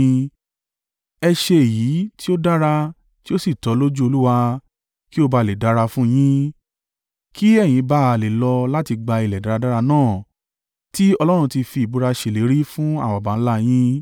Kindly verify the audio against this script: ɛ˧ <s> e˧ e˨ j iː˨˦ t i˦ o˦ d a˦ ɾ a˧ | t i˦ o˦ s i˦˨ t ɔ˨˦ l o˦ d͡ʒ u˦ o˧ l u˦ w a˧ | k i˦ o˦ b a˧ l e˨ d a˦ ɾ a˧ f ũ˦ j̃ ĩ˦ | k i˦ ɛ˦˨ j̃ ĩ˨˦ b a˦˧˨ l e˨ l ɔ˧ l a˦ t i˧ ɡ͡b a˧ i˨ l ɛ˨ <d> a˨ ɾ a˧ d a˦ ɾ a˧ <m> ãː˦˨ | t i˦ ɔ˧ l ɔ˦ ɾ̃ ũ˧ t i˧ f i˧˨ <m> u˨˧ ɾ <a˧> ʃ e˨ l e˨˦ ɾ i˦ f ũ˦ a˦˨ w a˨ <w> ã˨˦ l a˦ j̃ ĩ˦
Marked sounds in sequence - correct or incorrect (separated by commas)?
incorrect, correct, incorrect, incorrect, correct, incorrect